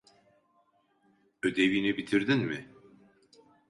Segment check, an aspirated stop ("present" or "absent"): present